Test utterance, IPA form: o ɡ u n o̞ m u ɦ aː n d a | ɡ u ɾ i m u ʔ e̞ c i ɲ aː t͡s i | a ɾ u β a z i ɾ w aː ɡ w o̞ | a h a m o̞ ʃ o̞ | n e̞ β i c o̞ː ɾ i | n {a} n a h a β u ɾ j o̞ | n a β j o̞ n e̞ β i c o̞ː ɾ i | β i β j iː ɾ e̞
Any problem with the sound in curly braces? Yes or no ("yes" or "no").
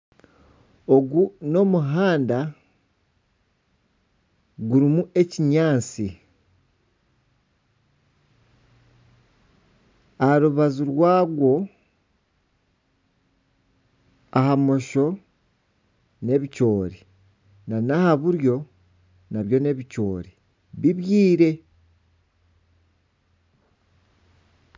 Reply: no